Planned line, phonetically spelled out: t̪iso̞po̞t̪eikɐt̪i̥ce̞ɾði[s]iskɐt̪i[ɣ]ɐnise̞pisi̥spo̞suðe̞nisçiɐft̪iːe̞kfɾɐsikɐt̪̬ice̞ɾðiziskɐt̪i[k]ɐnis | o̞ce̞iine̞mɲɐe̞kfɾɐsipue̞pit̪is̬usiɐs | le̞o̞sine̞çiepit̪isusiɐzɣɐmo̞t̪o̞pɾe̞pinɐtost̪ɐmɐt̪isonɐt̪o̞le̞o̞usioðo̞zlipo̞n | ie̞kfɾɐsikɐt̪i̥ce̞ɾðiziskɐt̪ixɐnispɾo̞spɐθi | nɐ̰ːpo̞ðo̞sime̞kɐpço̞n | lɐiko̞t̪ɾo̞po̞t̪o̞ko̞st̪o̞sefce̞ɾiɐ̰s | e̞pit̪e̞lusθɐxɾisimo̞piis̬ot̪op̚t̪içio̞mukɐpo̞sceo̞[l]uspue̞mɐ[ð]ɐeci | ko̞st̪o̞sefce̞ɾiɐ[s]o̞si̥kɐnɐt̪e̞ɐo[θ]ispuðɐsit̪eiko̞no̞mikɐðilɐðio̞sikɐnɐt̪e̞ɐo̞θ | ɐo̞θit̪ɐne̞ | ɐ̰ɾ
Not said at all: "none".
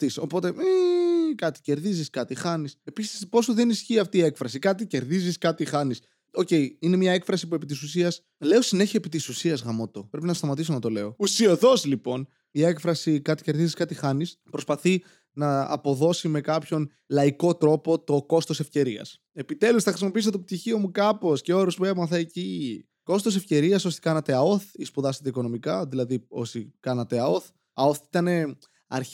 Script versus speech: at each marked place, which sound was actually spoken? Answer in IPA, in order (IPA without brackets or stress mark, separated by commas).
z, x, x, ɾ, θ, s, θ